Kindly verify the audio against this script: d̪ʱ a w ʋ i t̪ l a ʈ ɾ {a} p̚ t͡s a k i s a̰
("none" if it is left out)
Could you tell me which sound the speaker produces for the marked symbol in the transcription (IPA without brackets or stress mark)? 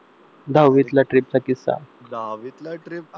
i